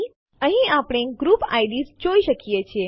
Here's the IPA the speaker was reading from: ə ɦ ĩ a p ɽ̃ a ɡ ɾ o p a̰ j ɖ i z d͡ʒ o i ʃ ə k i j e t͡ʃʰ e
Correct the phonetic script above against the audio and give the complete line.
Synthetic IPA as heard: ə ɦ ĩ a p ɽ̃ e ɡ ɾ u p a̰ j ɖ i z d͡ʒ o i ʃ ə k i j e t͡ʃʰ e